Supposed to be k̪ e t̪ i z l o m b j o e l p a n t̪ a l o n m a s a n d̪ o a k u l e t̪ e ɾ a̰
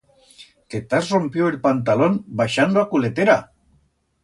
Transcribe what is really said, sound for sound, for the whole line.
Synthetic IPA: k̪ e t̪ a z r o m p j o e l p a n t̪ a l o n b a ʃ a n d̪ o a k u l e t̪ e ɾ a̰